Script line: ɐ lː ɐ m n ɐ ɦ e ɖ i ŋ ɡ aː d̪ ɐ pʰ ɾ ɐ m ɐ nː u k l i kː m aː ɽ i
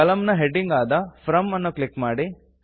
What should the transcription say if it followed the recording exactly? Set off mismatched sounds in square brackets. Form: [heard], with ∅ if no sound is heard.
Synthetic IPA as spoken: ɐ [l] ɐ m n ɐ ɦ e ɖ i ŋ ɡ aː d̪ ɐ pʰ ɾ ɐ m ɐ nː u k l i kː m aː ɽ i